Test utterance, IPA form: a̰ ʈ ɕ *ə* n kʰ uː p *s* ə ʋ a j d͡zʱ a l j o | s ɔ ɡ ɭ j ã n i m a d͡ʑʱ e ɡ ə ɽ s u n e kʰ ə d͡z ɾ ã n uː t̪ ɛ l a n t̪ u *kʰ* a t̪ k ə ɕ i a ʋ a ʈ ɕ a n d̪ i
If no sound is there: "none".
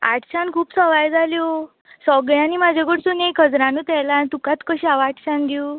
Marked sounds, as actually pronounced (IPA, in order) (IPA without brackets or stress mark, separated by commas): a, s, k